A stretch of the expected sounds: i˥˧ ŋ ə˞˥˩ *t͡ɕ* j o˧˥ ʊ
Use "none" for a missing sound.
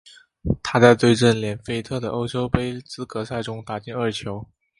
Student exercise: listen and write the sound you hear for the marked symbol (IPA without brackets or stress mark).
t͡ɕʰ